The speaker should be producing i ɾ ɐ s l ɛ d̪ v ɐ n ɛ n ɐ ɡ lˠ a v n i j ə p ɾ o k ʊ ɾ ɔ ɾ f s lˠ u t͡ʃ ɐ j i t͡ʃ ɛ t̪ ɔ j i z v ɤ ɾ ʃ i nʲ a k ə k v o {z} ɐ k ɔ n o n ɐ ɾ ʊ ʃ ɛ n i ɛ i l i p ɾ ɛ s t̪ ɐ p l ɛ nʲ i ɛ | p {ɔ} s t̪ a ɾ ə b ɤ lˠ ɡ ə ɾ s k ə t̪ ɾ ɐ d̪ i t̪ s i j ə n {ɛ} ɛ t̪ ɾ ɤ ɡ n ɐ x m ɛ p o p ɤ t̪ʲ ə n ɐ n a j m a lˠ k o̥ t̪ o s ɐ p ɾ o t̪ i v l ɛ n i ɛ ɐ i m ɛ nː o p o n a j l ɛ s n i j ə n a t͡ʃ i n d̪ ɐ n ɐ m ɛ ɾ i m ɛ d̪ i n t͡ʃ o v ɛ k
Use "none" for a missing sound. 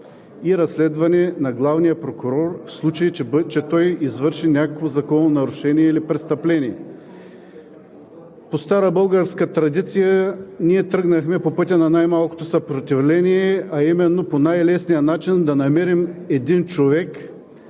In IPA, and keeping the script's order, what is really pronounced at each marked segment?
z, o, i

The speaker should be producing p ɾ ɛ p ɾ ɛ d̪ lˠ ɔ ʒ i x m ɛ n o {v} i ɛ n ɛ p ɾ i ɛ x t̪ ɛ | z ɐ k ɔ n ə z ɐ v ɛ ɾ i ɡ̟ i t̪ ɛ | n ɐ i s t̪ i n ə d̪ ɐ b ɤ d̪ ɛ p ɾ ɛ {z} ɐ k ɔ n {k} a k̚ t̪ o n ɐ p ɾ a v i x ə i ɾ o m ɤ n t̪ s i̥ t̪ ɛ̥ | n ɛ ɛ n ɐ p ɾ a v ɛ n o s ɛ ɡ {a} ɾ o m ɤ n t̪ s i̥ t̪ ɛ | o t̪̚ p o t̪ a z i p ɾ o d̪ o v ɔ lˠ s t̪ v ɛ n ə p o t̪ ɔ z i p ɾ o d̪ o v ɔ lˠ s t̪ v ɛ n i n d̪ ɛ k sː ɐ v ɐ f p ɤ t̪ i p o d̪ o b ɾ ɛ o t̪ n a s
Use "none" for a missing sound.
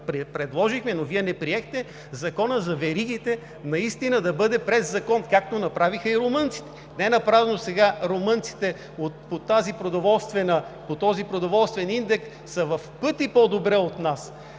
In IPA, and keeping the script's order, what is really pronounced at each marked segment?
v, zː, k, a

